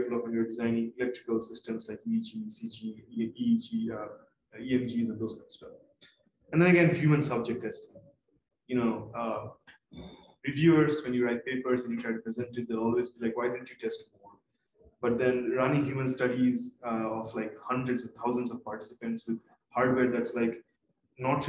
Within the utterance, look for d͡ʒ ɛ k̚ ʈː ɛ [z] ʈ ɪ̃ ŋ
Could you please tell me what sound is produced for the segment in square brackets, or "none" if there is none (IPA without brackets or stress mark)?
s